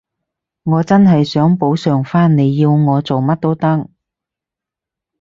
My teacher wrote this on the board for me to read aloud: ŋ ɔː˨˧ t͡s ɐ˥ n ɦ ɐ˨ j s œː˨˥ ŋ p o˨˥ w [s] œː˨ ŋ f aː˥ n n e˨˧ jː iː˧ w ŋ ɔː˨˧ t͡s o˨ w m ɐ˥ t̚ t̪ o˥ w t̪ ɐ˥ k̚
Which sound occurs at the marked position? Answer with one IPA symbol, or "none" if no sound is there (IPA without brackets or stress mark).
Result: s